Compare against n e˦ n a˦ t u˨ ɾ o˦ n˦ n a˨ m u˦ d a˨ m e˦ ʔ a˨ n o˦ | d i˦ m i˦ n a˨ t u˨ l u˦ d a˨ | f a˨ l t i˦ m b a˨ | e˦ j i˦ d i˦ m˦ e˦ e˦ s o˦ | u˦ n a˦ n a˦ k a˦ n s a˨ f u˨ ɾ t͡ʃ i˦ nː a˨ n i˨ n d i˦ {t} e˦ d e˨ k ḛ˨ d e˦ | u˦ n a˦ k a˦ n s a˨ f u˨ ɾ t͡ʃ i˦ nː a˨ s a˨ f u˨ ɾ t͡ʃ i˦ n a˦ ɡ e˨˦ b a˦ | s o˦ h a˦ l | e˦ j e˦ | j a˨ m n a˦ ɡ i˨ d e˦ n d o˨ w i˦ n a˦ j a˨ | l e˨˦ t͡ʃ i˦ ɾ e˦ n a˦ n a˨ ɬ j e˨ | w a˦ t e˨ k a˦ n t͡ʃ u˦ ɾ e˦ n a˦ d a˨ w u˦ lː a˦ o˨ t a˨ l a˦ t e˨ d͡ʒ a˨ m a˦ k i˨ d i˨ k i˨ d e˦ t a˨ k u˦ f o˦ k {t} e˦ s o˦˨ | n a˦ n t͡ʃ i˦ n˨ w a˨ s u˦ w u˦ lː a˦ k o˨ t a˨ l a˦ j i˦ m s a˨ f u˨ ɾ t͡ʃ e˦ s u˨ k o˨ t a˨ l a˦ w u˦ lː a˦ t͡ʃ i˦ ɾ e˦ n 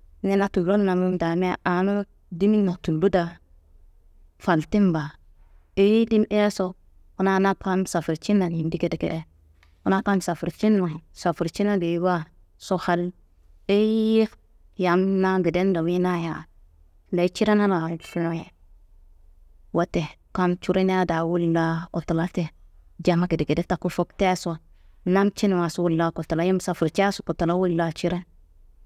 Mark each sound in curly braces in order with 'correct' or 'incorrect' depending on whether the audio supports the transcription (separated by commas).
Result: incorrect, correct